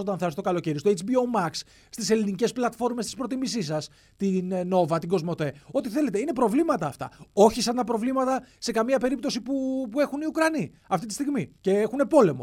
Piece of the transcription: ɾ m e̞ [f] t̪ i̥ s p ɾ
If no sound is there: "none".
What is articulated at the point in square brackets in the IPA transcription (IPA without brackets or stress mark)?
s